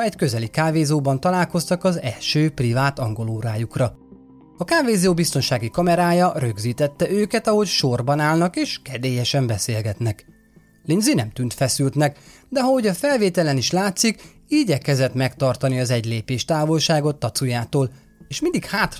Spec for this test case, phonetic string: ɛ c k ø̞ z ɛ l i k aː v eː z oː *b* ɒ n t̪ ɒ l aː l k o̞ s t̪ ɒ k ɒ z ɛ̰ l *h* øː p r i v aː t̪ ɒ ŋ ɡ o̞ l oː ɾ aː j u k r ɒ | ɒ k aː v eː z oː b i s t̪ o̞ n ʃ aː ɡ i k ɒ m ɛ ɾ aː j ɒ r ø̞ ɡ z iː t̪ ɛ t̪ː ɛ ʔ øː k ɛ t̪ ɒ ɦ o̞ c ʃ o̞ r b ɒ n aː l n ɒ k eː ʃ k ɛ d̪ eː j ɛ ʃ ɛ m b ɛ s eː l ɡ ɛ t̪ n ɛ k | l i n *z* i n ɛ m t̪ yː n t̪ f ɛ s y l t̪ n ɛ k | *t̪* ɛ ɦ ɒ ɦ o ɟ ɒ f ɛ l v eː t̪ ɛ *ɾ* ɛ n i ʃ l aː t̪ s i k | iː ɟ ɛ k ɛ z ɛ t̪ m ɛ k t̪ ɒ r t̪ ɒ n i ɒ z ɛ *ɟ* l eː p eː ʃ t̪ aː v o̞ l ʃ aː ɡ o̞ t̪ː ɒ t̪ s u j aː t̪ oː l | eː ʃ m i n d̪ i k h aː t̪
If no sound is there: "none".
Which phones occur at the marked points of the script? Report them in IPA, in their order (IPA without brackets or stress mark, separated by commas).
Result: b, ʃ, z, d̪, l, ɟ